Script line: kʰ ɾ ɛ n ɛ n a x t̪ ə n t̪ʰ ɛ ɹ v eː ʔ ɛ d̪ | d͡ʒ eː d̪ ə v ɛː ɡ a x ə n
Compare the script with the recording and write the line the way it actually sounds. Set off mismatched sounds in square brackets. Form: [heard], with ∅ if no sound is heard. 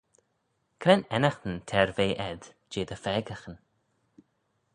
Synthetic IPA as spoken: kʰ ɾ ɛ n ɛ n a x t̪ ə n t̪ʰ ɛ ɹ v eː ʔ ɛ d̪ | d͡ʒ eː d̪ ə [f] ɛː ɡ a x ə n